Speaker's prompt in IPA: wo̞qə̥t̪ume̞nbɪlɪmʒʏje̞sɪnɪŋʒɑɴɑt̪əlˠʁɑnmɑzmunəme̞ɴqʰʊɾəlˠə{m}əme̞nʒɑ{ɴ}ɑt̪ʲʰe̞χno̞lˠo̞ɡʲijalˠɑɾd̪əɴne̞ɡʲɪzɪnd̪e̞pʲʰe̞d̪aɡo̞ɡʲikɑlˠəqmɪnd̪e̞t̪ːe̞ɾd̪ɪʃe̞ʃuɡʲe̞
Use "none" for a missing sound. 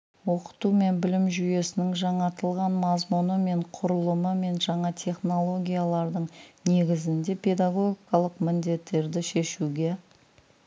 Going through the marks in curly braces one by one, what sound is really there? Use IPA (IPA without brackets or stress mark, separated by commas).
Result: m, ɴ